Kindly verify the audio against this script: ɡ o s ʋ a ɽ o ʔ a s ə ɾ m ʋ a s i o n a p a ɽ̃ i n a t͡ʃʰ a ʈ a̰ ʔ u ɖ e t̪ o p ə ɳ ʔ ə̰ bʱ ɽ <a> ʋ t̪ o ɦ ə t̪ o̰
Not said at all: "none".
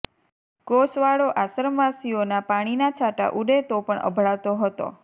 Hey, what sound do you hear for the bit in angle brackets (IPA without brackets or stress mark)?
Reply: a